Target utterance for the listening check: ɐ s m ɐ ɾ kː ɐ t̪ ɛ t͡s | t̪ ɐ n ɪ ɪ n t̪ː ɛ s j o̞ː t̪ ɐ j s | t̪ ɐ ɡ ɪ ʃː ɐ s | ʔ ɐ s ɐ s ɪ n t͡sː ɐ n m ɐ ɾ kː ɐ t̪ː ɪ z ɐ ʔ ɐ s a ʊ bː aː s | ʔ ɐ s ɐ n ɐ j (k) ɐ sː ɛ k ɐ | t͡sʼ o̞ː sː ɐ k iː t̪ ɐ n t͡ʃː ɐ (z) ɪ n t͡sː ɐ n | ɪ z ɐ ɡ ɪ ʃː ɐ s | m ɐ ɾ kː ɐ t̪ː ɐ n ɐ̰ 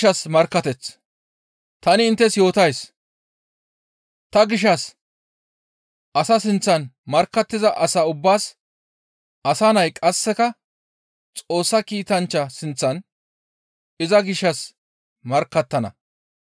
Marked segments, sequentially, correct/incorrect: incorrect: kʼ, incorrect: s

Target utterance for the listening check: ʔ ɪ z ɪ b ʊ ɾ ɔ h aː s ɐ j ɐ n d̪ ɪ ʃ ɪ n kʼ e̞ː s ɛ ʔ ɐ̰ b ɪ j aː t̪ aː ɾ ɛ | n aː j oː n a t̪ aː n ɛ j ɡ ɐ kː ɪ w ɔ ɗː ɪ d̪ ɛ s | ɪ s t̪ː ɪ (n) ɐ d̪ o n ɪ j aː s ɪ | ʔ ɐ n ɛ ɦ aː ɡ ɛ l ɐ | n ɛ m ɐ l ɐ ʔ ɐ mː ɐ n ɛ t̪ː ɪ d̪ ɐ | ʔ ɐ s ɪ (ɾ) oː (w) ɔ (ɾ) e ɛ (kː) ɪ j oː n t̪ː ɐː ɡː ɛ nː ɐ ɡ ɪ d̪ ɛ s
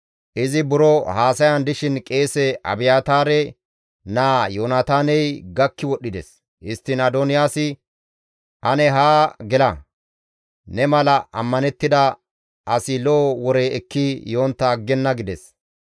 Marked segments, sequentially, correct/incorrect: correct, incorrect: l, correct, correct, correct

